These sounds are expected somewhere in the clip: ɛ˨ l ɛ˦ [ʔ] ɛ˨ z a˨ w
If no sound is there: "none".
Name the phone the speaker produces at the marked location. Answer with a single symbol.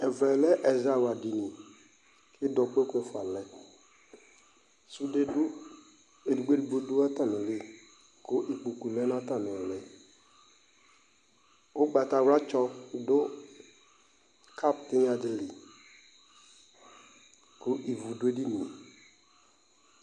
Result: ʔ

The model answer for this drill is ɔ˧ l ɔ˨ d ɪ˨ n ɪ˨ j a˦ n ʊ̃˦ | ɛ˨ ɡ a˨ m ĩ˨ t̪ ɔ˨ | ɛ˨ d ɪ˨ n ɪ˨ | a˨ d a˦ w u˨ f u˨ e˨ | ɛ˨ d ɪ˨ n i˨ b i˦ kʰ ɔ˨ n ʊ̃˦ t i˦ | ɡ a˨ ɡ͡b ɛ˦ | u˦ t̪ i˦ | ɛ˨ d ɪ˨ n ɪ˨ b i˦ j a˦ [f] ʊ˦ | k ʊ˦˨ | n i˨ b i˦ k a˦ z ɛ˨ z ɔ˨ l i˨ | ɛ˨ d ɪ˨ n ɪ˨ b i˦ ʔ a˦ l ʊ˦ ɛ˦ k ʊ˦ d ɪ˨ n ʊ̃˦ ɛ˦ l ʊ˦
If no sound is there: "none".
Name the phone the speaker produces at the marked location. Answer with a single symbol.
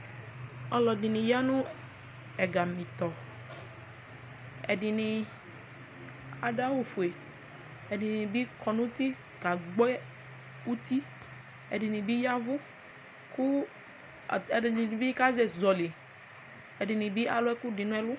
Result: v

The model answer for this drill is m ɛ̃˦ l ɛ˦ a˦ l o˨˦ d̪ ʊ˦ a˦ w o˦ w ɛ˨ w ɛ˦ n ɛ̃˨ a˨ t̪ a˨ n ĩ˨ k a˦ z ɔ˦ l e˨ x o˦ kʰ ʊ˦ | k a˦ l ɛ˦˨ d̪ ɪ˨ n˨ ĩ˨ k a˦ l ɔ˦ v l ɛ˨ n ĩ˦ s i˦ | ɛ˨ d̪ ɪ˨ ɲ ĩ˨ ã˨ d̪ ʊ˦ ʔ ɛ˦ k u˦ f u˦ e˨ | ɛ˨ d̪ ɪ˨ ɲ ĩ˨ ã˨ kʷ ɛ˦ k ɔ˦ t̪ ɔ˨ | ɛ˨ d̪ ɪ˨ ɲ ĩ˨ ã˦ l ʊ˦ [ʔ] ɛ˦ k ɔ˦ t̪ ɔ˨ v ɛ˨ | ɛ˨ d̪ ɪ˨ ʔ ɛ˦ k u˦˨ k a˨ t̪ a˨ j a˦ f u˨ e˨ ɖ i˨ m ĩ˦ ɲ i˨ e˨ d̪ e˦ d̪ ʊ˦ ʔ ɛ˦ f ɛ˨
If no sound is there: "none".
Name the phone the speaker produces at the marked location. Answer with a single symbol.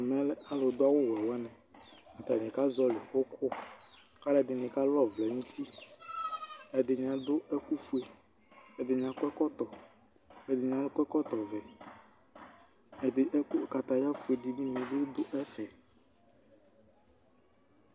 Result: k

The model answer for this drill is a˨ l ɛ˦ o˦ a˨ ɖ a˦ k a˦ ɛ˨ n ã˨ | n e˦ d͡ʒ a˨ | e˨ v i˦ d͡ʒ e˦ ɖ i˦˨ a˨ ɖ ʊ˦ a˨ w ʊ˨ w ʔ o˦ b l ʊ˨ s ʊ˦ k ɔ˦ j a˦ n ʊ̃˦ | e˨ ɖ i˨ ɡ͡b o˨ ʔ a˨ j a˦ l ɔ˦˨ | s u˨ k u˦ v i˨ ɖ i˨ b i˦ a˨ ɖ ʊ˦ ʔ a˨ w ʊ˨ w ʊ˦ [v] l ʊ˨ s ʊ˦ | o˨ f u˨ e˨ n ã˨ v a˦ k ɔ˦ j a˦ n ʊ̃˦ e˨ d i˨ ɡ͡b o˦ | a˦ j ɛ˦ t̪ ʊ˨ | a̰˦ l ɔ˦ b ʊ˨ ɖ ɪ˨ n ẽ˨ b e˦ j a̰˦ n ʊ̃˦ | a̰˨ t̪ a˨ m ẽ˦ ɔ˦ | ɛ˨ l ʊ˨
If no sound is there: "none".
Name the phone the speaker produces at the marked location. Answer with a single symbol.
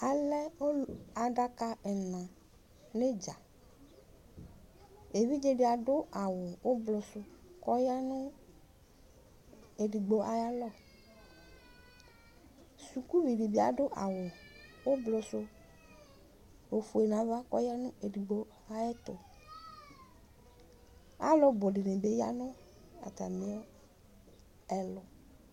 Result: b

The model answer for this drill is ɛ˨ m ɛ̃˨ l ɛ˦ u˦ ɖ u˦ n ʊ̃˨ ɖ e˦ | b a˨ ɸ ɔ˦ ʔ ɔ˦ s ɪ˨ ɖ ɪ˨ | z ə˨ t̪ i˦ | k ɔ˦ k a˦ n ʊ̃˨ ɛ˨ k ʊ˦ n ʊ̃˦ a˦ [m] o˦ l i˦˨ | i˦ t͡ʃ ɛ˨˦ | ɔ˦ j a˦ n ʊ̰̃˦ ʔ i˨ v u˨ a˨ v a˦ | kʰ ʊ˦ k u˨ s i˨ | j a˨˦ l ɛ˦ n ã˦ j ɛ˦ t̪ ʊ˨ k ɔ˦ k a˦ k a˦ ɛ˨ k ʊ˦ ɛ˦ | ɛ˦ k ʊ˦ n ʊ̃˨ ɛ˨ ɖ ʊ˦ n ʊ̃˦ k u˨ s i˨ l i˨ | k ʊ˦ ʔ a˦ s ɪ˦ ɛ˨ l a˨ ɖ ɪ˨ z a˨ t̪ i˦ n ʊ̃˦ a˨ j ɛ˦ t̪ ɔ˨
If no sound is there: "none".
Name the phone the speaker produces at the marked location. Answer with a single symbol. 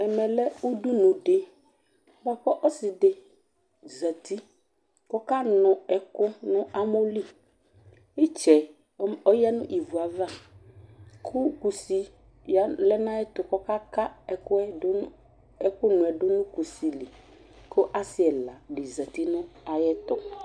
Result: m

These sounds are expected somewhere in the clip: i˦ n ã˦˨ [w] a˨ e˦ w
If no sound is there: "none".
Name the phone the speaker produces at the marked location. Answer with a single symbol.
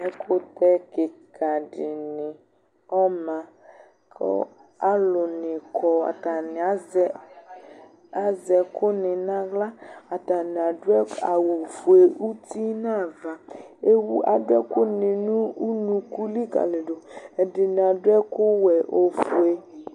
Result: v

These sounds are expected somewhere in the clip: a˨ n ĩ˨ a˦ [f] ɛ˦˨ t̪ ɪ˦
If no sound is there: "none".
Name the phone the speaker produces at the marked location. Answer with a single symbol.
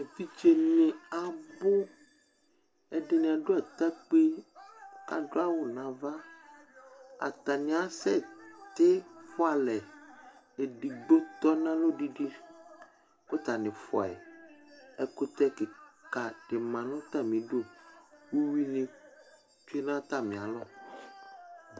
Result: s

